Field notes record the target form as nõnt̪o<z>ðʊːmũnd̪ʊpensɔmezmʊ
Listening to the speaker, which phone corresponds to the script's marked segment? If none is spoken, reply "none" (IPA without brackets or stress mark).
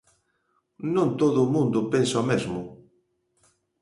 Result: none